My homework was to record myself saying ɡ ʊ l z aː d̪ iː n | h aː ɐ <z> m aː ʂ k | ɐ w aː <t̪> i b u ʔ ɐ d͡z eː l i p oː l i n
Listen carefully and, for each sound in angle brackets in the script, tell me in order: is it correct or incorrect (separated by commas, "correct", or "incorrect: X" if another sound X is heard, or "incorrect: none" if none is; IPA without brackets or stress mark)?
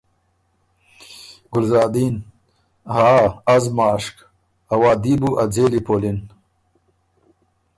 correct, incorrect: d̪